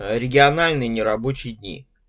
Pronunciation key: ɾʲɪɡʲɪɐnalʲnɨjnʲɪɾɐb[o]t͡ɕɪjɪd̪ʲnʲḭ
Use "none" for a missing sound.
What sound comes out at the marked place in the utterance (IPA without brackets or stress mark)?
o